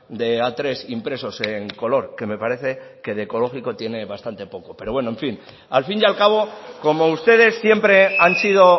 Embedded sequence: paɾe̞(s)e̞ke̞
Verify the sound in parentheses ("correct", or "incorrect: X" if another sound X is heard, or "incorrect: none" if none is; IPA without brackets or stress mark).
incorrect: θ